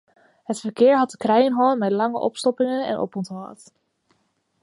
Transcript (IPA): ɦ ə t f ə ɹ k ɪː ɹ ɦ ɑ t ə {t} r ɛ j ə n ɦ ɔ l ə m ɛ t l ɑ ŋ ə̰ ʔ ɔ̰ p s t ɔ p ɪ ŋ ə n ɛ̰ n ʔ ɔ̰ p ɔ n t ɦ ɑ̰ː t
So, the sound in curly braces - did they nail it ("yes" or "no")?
no